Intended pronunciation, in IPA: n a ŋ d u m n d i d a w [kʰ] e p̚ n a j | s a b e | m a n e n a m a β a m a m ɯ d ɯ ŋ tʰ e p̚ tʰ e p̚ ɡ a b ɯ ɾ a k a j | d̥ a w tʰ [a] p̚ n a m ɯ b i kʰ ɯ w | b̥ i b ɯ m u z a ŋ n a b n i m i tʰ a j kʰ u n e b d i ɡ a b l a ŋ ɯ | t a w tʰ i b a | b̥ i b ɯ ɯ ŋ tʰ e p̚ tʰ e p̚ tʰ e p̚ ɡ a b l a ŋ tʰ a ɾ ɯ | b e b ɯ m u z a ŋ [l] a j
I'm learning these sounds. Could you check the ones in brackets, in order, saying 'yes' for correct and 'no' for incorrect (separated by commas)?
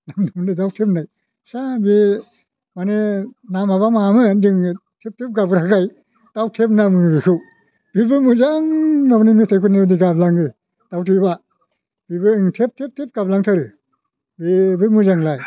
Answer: no, no, yes